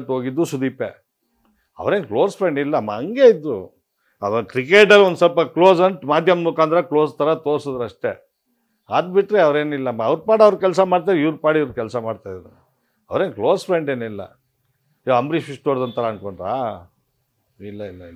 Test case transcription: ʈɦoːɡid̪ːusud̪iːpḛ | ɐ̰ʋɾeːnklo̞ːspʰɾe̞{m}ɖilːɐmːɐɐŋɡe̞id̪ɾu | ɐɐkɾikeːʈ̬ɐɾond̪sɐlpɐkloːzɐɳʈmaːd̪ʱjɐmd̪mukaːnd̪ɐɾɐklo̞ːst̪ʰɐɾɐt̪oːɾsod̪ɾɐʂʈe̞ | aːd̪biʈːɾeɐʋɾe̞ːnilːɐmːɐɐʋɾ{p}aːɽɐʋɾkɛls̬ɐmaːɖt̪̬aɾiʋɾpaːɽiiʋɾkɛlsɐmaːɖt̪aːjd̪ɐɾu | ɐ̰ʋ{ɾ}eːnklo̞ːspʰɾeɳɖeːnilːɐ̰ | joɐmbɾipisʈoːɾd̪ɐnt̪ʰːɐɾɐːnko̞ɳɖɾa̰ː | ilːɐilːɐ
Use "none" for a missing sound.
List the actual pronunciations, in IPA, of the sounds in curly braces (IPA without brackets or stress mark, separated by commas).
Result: ɳ, p, ɾ